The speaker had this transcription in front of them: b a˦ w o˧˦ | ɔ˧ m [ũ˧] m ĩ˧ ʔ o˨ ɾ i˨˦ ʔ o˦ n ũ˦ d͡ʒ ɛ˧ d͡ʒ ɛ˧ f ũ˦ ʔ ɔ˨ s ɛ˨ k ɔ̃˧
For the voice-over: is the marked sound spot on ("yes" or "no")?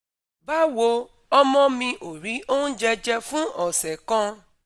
no